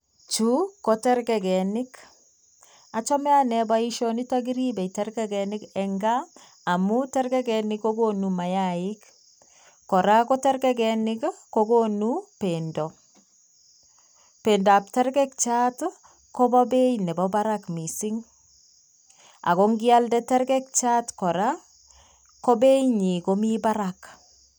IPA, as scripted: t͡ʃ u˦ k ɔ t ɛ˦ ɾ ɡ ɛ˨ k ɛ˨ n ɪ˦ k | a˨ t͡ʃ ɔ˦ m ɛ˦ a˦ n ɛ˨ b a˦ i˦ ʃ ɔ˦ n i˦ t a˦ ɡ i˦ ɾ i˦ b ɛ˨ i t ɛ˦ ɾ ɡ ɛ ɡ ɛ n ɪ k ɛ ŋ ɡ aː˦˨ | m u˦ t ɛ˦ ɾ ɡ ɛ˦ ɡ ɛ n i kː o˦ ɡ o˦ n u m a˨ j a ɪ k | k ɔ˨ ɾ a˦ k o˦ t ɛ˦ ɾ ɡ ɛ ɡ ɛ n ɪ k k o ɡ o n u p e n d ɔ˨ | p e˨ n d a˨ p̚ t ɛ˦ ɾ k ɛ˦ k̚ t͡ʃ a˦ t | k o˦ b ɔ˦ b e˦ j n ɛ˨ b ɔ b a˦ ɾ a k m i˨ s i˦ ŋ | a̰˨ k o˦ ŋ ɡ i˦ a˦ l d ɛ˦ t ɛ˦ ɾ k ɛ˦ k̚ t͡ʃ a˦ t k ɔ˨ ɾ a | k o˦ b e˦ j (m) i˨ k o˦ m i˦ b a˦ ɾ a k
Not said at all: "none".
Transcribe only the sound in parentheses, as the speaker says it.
ɲ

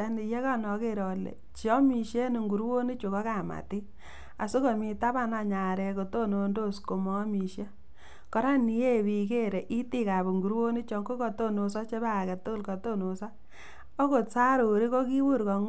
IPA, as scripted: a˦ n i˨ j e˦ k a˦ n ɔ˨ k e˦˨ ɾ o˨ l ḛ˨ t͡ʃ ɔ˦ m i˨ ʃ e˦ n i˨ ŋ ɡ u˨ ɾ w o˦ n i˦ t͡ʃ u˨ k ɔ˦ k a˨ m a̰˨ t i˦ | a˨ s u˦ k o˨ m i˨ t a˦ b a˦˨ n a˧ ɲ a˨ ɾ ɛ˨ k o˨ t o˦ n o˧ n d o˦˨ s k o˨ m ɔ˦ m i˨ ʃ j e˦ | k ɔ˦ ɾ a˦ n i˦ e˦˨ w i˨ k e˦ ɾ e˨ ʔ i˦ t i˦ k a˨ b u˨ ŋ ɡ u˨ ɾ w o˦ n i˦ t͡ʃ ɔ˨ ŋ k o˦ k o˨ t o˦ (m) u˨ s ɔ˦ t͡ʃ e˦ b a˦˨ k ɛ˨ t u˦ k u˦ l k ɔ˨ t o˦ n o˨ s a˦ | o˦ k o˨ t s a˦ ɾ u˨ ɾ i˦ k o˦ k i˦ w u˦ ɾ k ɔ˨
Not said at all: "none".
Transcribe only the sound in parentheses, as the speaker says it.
n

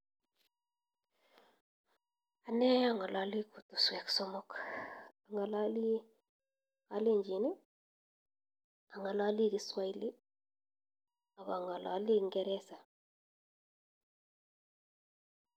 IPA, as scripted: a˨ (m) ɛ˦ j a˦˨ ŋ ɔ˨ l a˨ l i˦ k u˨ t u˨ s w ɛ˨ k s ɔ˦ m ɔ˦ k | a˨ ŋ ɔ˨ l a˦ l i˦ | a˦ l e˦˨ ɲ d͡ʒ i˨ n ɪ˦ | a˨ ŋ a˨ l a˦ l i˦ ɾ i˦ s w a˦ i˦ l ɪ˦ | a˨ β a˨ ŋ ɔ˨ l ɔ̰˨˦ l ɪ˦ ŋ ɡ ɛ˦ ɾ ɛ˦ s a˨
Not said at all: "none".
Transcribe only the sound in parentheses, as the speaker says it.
n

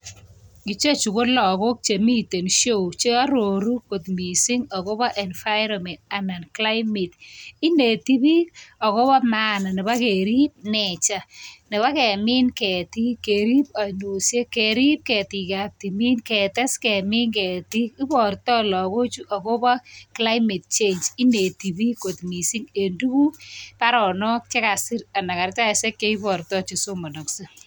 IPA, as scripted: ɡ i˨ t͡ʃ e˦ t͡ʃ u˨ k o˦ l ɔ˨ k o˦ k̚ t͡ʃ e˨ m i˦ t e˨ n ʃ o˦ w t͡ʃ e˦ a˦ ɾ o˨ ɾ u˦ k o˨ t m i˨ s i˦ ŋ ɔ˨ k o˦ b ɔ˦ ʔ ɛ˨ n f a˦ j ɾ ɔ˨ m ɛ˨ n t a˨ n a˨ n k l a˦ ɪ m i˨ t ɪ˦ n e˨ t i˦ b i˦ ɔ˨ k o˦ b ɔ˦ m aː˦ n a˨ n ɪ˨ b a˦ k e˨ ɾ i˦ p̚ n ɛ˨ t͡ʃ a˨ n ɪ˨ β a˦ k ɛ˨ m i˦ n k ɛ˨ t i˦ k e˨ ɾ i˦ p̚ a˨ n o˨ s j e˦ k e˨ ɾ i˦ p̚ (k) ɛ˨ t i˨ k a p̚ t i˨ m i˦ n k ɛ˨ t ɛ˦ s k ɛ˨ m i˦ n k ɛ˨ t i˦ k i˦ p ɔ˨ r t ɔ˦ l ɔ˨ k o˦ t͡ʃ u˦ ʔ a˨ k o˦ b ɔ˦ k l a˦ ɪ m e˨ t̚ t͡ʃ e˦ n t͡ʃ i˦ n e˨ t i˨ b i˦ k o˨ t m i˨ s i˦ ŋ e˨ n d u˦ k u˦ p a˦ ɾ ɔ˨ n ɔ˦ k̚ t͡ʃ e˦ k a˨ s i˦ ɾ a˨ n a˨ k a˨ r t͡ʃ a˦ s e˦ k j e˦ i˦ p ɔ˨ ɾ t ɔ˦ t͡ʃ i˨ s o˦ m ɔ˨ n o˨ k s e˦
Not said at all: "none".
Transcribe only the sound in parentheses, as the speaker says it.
k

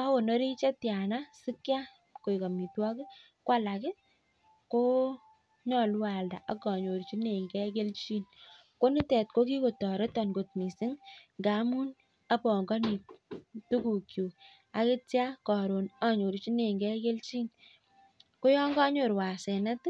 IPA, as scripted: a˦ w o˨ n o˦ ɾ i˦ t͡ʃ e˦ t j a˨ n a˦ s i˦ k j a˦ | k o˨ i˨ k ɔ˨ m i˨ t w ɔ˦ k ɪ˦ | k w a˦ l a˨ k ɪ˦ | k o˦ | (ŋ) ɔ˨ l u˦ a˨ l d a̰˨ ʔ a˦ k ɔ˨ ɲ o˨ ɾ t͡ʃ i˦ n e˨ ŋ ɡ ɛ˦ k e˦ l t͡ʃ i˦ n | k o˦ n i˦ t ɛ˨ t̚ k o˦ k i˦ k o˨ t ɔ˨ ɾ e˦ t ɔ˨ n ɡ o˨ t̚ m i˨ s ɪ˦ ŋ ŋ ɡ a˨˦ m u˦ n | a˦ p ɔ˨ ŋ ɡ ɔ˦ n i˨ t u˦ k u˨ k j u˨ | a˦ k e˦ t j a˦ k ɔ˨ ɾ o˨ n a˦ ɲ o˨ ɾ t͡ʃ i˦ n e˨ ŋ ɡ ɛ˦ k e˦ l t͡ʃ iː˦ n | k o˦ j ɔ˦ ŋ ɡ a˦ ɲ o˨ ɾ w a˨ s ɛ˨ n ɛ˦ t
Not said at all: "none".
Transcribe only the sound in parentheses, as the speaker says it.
ɲ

